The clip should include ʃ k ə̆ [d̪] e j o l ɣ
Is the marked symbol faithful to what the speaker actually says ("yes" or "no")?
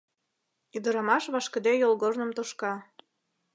yes